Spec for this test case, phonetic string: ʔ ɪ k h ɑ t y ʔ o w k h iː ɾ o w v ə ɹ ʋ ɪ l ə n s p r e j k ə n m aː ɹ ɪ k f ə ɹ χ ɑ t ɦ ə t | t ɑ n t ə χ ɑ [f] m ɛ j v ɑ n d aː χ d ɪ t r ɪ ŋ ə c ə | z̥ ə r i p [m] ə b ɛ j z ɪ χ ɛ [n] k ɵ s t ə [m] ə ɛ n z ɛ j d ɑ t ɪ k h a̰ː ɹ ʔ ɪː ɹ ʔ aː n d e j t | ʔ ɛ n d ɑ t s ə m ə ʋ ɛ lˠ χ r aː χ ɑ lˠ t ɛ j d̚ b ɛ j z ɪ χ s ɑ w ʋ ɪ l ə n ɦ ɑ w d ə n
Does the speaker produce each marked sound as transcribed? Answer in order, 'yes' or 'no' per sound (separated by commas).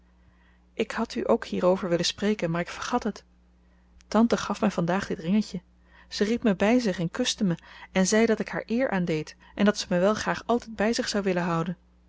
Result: yes, yes, yes, yes